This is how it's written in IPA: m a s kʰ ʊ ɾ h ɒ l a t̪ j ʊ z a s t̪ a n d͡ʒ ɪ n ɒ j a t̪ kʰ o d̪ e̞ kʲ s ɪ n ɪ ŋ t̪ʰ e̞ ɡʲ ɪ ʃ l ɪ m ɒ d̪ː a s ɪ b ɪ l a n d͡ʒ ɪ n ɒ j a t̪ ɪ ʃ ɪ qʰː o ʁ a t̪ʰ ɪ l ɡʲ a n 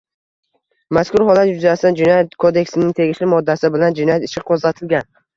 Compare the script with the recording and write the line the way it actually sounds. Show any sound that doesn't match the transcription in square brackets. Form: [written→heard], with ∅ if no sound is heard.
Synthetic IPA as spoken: m a s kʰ ʊ ɾ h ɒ l a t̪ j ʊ z a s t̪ a n d͡ʒ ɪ n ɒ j a t̪ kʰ o d̪ e̞ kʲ s ɪ n ɪ ŋ t̪ʰ e̞ ɡʲ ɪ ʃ l ɪ m ɒ d̪ː a s ɪ b ɪ l a n d͡ʒ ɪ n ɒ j a t̪ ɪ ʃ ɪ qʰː o [ʁ→z] a t̪ʰ ɪ l ɡʲ a n